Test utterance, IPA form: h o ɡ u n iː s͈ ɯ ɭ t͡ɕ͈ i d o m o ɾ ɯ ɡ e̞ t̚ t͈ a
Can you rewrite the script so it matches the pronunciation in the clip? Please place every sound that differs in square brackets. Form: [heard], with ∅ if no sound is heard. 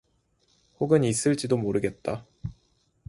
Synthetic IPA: h o ɡ [ɯ] n [i] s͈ ɯ ɭ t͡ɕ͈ i d o m o ɾ ɯ ɡ e̞ t̚ t͈ a